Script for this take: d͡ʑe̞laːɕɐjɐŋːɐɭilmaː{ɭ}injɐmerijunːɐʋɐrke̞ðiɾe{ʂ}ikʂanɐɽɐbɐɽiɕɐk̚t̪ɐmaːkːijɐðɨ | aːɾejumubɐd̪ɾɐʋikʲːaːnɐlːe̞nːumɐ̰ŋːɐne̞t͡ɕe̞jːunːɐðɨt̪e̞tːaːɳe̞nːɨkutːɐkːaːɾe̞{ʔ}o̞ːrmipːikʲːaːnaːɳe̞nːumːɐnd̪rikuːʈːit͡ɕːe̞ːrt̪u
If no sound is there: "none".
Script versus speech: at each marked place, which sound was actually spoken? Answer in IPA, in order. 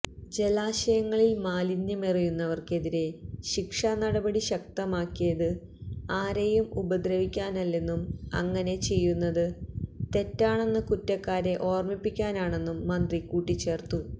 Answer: l, ɕ, ʔ

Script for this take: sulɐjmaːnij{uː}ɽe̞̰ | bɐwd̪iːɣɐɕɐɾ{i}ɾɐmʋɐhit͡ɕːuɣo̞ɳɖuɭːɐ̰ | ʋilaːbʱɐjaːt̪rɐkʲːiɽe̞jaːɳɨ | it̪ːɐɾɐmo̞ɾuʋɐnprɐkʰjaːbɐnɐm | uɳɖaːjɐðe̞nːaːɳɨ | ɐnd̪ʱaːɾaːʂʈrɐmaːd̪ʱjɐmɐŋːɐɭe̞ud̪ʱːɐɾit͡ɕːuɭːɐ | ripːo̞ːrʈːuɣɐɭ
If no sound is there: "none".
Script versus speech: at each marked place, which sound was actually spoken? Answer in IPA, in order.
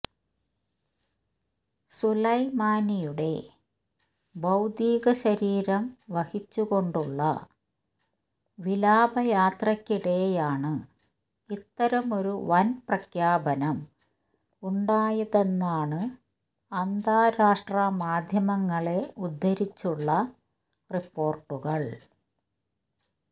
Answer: u, iː

